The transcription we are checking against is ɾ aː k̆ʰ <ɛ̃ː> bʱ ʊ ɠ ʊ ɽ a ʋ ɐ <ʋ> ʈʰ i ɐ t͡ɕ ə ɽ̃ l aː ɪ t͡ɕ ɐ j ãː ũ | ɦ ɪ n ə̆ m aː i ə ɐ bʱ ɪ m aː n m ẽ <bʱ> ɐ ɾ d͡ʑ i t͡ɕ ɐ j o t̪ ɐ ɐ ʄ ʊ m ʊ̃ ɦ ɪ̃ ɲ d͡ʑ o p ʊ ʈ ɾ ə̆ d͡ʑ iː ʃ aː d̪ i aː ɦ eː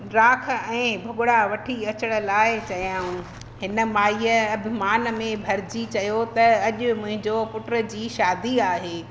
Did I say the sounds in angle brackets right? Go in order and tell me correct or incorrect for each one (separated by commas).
correct, incorrect, correct